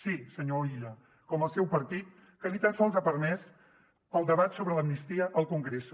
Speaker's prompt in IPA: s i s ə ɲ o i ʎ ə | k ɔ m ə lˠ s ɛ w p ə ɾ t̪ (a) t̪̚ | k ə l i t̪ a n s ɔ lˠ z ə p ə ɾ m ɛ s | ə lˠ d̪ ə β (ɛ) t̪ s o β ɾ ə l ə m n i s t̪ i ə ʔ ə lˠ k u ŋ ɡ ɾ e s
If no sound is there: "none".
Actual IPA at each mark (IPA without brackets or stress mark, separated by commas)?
i, a